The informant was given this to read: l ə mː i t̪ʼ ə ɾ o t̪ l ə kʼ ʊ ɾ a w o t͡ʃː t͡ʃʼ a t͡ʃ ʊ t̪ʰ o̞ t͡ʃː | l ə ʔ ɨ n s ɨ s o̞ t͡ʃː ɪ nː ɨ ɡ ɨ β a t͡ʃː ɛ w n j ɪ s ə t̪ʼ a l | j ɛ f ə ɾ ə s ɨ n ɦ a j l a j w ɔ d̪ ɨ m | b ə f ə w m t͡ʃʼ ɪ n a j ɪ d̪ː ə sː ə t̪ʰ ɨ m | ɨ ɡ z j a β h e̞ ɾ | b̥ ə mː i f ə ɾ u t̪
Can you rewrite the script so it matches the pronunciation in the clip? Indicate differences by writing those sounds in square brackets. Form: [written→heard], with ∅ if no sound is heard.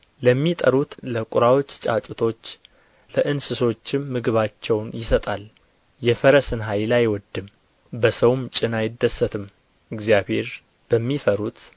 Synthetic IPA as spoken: l ə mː i t̪ʼ ə ɾ [o→u] t̪ l ə kʼ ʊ ɾ a w o t͡ʃː t͡ʃʼ a [t͡ʃ→t͡ʃʼ] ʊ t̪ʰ o̞ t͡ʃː | l ə ʔ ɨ n s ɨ s o̞ t͡ʃː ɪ [nː→mː] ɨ ɡ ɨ β a t͡ʃː ɛ w n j ɪ s ə t̪ʼ a l | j ɛ f ə ɾ ə s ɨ n ɦ a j l a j w ɔ d̪ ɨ m | b ə [f→s] ə w m t͡ʃʼ ɪ n a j ɪ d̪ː ə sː ə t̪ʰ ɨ m | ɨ ɡ z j a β h e̞ ɾ | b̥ ə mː i f ə ɾ u t̪